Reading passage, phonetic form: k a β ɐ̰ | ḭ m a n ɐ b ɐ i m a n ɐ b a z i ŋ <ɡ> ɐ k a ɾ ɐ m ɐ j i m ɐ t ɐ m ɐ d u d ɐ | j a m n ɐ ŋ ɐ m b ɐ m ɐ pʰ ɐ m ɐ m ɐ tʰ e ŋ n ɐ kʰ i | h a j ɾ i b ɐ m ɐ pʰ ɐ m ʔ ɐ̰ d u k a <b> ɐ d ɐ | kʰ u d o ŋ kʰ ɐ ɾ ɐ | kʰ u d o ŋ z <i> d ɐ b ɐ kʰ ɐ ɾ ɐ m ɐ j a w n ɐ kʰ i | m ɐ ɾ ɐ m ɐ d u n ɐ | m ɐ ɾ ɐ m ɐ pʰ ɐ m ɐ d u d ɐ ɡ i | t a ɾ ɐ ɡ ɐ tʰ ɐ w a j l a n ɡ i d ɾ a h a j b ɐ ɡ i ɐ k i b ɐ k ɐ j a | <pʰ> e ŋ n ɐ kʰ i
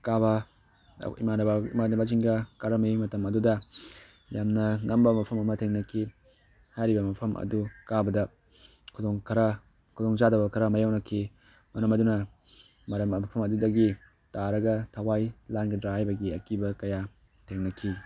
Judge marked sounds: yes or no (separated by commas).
yes, yes, no, no